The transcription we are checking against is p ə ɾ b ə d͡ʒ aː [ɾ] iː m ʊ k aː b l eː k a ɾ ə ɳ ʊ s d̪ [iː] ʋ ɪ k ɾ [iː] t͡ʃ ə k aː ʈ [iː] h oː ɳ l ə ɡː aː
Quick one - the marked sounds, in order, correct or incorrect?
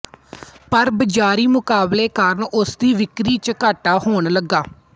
correct, correct, correct, incorrect: aː

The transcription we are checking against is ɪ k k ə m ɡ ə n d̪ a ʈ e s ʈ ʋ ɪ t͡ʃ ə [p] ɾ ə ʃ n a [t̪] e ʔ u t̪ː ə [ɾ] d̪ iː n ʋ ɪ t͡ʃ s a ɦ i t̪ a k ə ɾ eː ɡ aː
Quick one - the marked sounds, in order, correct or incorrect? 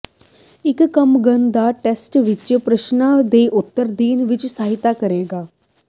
correct, incorrect: d̪, correct

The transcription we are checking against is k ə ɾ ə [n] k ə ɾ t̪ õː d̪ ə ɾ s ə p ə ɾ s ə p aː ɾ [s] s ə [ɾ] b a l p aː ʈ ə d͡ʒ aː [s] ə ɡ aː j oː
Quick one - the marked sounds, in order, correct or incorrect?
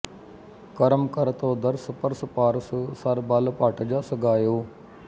incorrect: m, correct, correct, correct

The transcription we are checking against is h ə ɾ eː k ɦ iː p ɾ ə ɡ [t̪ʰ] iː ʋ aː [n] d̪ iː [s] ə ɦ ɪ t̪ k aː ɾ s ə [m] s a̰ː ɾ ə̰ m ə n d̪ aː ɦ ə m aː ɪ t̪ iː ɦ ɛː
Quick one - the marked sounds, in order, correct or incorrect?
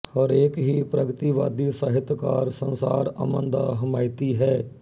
incorrect: t̪, incorrect: none, correct, incorrect: n

